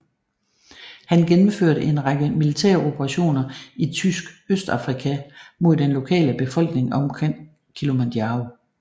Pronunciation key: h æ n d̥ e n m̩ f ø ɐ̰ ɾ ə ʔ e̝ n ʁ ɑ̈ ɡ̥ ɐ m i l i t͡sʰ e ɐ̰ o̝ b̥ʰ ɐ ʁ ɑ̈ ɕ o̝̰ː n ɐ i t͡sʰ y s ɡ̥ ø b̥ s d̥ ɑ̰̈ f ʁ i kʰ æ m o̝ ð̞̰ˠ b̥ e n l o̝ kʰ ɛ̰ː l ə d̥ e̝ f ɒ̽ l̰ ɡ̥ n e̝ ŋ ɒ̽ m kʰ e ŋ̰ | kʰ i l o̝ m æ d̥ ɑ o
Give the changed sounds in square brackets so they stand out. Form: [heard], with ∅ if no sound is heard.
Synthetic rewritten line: h æ n [ɡ̥] e n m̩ f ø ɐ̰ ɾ ə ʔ e̝ n ʁ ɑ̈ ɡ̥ [ə] m i l i t͡sʰ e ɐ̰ o̝ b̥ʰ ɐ ʁ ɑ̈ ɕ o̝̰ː n ɐ i t͡sʰ y s ɡ̥ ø [∅] s d̥ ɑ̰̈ f ʁ i kʰ æ m o̝ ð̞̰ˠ [d̥] e n l o̝ kʰ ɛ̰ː l ə [b̥] e̝ f ɒ̽ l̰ ɡ̥ n e̝ ŋ ɒ̽ m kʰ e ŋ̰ | kʰ i l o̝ m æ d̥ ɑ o